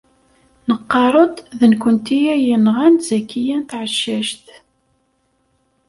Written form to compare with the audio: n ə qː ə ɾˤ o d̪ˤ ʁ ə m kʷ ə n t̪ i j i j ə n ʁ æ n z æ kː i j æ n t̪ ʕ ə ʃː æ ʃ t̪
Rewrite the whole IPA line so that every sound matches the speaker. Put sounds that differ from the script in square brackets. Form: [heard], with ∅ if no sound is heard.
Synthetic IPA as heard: n ə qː [ɑ] ɾˤ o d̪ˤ [ð] ə [n] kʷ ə n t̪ i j [æ] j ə n ʁ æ n z æ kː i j æ n t̪ ʕ ə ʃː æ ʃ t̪